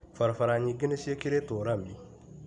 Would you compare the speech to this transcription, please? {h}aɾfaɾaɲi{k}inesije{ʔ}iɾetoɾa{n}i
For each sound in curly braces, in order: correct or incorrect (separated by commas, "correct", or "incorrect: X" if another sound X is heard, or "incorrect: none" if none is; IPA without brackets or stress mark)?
incorrect: f, incorrect: ɡ, incorrect: k, incorrect: m